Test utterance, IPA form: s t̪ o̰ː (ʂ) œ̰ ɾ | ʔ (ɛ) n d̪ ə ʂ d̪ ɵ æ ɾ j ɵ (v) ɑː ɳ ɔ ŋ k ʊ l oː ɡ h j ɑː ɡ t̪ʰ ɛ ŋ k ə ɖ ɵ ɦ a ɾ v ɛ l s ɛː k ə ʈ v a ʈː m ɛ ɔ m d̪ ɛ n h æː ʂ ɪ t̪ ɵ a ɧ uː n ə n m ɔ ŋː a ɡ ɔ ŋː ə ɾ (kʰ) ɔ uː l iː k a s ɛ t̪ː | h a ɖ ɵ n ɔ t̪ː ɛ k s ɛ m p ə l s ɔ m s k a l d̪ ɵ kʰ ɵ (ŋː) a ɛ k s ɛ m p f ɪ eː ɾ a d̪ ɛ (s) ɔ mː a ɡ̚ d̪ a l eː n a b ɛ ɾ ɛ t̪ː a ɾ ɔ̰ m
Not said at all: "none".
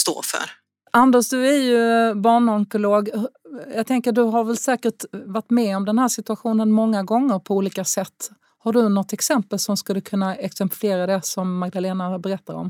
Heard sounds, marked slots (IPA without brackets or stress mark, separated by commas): f, a, b, pʰ, nː, s